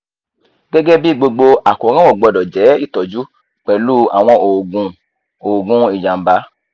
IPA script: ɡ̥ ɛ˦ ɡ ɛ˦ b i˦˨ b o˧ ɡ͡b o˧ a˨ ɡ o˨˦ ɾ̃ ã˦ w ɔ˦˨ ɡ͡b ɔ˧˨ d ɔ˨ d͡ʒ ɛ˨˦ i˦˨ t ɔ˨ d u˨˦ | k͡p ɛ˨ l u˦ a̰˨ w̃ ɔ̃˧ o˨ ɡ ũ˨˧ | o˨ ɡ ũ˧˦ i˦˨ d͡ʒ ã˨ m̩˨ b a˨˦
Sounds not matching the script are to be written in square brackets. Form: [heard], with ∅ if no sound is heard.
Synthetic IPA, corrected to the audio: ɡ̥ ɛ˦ ɡ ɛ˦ b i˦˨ [ɡ͡b] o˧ ɡ͡b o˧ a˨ [k] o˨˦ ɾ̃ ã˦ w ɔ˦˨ ɡ͡b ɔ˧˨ d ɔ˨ d͡ʒ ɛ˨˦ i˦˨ t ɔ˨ [d͡ʒ] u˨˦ | k͡p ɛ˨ l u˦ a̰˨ w̃ ɔ̃˧ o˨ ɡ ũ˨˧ | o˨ ɡ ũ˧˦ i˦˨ d͡ʒ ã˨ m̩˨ b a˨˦